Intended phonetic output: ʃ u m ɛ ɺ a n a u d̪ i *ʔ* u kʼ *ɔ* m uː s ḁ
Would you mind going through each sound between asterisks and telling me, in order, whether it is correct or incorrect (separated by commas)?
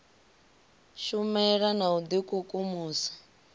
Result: incorrect, incorrect